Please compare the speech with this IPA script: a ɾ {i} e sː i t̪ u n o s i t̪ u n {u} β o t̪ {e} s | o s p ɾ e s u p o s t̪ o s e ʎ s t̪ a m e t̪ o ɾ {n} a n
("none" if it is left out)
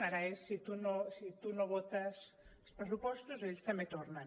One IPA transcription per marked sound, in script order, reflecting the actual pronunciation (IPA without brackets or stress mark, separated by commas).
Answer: a, o, a, n